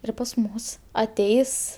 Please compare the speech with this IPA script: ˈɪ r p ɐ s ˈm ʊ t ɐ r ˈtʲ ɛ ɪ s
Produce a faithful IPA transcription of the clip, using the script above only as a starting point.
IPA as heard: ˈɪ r p ɐ s ˈm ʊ s ɐ ˈtʲ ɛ ɪ s